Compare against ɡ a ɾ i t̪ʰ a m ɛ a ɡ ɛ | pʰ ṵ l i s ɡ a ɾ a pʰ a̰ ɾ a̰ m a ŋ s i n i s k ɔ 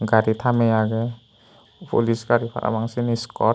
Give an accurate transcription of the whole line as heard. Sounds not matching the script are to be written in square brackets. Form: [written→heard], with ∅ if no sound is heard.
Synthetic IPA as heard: ɡ a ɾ i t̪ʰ a m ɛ a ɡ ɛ | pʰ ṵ l i s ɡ a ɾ [a→i] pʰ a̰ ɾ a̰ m a ŋ s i n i s k ɔ